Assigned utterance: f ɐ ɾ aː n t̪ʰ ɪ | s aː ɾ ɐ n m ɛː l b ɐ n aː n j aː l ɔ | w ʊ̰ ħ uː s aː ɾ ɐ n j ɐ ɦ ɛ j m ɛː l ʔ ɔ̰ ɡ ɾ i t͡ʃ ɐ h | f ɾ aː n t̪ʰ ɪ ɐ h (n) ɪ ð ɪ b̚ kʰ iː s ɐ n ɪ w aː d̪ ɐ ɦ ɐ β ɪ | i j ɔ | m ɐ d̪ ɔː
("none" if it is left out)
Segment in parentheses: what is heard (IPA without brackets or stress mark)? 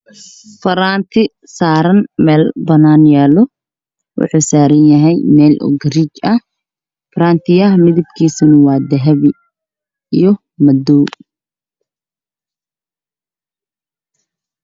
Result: m